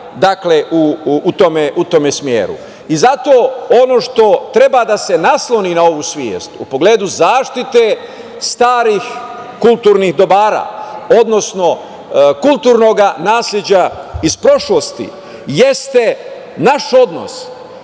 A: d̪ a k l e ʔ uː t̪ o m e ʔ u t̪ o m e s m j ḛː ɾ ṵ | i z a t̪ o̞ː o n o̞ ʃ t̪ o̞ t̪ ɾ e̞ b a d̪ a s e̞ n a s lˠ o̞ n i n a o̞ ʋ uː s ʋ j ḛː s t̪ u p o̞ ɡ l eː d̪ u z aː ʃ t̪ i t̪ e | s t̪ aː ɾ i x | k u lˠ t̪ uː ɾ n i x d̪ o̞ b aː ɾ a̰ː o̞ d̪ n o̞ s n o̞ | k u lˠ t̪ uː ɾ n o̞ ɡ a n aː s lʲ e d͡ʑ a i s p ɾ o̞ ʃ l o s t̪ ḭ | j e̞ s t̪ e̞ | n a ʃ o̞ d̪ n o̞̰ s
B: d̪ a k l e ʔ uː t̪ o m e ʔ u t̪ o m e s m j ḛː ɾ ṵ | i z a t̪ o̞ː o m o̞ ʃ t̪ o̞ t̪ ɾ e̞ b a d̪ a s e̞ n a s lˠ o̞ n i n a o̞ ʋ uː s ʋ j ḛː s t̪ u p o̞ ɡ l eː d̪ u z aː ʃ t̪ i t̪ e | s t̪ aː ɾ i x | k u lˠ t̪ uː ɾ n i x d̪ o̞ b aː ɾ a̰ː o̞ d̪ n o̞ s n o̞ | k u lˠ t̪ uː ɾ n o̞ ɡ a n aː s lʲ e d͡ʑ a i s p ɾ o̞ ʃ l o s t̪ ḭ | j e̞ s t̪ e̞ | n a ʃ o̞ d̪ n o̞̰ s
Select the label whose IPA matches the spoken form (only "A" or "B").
A